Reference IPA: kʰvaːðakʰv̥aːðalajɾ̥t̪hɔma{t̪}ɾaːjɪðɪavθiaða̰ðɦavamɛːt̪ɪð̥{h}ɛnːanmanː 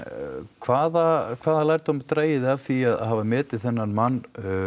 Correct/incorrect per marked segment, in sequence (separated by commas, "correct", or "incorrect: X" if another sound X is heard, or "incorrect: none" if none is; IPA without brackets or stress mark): correct, incorrect: θ